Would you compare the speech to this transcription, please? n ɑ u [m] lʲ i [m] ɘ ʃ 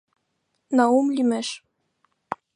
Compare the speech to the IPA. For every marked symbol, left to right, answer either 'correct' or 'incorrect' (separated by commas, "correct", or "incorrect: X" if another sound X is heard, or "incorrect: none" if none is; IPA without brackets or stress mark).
correct, correct